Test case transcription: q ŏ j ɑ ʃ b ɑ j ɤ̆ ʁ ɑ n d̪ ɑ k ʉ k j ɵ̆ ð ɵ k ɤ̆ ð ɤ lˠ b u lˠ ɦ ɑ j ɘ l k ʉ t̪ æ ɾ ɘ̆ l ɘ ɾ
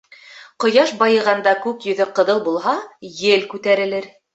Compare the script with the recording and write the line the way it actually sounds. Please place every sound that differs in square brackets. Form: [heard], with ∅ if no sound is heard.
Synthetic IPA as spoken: q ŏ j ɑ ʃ b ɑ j ɤ̆ ʁ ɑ n d̪ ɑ k ʉ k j ɵ̆ ð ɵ [q] ɤ̆ ð ɤ lˠ b u lˠ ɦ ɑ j ɘ l k ʉ t̪ æ ɾ ɘ̆ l ɘ ɾ